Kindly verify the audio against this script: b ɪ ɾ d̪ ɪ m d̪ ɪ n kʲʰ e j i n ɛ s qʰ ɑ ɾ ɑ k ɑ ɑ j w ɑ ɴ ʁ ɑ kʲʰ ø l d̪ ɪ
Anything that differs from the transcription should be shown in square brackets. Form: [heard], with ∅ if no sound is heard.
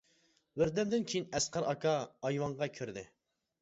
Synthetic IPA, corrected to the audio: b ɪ ɾ d̪ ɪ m d̪ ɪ n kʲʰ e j i n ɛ s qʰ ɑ ɾ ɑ k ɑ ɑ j w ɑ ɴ ʁ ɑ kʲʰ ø [ɾ] d̪ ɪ